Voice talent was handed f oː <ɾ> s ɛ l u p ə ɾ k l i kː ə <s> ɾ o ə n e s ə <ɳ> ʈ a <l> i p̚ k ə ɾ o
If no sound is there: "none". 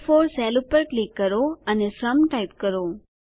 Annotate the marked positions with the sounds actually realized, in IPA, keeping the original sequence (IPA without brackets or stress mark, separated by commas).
ɾ, none, m, none